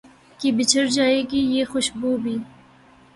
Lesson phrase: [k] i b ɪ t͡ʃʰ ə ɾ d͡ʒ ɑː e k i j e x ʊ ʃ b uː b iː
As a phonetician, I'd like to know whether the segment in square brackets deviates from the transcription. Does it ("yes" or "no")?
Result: no